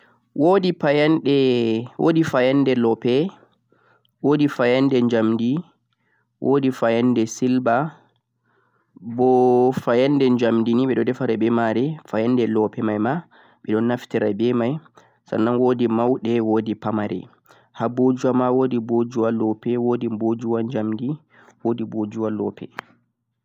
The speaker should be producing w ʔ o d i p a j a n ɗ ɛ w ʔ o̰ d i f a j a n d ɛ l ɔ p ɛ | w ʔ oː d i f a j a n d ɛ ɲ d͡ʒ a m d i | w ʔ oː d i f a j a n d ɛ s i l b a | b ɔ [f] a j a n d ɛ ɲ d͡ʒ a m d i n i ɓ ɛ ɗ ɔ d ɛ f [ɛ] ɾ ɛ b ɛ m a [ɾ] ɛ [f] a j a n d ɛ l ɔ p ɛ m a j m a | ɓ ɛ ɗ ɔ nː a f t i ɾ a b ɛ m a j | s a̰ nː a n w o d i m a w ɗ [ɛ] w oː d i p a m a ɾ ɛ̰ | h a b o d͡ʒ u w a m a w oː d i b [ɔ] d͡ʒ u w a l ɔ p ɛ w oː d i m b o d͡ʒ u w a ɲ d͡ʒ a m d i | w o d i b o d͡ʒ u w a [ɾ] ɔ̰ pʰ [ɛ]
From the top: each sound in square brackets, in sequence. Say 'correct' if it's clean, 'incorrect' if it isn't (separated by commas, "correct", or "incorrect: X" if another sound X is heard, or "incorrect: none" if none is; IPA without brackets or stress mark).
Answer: correct, incorrect: a, correct, correct, correct, incorrect: o, incorrect: l, correct